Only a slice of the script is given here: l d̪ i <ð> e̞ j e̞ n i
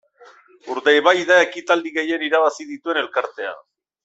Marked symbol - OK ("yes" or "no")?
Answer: no